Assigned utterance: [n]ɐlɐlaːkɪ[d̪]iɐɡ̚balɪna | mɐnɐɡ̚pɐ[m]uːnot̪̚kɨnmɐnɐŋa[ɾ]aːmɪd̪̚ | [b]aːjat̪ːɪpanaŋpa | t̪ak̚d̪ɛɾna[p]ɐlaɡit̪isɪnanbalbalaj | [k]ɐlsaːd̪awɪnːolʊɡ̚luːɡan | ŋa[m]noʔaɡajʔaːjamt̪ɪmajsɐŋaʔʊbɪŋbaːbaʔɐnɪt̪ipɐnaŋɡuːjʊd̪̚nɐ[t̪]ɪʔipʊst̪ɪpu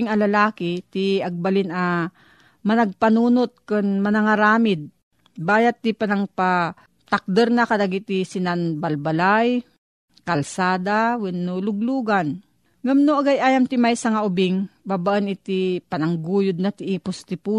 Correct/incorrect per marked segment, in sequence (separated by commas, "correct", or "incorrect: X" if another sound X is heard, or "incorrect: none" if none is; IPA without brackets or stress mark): incorrect: ŋ, incorrect: t̪, incorrect: n, correct, correct, incorrect: k, correct, correct, correct